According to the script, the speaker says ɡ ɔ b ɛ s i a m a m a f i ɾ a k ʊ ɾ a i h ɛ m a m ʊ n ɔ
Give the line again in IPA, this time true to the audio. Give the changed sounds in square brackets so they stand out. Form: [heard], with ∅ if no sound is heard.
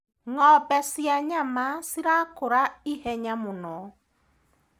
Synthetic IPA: [ŋ] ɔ b ɛ s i a [ɲ] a m a [s] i ɾ a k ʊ ɾ a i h ɛ [ɲ] a m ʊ n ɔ